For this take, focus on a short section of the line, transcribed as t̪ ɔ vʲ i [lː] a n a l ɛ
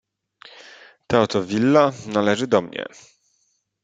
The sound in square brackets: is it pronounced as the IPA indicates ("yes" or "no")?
yes